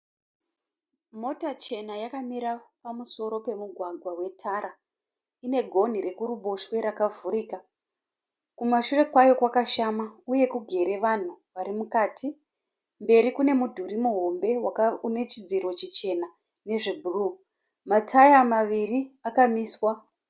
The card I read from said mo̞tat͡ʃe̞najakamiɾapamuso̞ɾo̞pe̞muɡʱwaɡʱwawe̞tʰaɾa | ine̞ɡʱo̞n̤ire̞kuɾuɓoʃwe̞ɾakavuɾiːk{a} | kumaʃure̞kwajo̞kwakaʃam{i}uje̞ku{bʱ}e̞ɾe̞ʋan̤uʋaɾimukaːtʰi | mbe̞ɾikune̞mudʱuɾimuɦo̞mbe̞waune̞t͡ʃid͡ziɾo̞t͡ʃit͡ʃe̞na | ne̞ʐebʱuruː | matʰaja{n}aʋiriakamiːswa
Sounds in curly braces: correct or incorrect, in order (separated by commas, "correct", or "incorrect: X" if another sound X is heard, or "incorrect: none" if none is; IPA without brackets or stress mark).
correct, incorrect: a, incorrect: ɡʱ, incorrect: m